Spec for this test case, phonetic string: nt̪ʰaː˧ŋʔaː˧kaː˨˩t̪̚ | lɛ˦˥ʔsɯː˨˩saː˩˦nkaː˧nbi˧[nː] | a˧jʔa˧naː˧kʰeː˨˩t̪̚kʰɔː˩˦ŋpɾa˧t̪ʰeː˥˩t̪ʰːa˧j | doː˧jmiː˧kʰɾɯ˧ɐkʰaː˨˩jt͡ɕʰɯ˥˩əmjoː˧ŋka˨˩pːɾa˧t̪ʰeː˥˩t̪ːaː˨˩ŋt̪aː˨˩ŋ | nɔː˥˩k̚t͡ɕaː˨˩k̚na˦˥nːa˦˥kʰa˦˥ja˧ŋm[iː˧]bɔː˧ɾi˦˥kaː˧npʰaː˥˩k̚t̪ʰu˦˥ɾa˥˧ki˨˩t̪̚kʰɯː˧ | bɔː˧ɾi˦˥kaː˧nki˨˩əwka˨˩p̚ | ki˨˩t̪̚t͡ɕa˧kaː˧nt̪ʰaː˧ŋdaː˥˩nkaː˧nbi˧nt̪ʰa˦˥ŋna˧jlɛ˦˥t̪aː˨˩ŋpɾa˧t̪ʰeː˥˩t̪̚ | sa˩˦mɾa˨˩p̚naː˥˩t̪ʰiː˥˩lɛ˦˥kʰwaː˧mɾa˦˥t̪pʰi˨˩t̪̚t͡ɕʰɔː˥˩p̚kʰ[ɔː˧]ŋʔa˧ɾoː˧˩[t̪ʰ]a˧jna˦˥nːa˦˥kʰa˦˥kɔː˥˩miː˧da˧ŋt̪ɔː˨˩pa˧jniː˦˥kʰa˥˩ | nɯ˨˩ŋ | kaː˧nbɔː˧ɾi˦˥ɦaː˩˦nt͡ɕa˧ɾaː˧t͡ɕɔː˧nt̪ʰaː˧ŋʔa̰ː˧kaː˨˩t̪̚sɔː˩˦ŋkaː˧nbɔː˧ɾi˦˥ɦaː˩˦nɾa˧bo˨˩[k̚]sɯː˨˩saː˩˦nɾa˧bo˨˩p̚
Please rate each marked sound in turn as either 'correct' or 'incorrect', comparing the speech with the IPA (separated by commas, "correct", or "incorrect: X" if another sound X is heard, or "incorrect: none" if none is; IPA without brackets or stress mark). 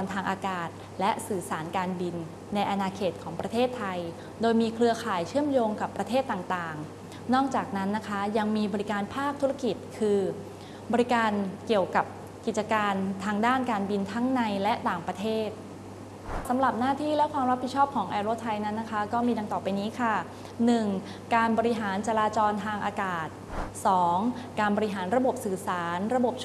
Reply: correct, correct, incorrect: ɔː˩˦, correct, incorrect: p̚